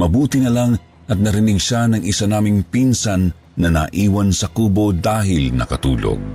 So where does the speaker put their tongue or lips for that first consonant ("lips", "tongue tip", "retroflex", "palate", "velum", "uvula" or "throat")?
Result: lips